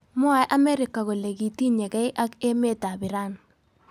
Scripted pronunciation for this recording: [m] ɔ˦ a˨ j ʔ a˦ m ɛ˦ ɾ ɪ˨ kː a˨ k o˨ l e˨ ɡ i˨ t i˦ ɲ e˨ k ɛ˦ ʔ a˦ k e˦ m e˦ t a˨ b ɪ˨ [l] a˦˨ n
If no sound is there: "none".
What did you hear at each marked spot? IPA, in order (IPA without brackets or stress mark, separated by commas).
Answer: m, ɾ